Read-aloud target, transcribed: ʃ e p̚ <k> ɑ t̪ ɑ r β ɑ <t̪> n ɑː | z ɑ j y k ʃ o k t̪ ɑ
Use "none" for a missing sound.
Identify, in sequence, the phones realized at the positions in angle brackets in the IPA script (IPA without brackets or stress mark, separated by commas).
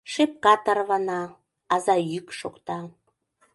k, none